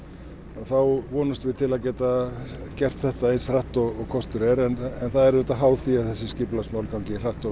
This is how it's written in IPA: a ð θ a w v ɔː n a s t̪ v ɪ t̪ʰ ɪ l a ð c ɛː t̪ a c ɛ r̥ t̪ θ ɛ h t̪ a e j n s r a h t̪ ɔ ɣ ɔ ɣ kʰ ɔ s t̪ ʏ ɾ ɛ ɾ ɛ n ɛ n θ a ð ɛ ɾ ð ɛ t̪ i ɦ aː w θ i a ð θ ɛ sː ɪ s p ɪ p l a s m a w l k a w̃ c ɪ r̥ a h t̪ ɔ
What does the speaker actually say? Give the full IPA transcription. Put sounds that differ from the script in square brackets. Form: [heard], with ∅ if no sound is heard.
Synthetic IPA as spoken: a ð θ a w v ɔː n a s t̪ v ɪ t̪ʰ ɪ l a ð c ɛː t̪ a c ɛ r̥ t̪ θ ɛ h t̪ a e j n s r a h t̪ ɔ ɣ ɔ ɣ kʰ ɔ s t̪ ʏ ɾ ɛ ɾ ɛ n ɛ n θ a ð ɛ ɾ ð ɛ t̪ [a] ɦ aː w θ i a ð θ ɛ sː ɪ s [c] ɪ p l a s m a w l k a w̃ c ɪ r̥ a h t̪ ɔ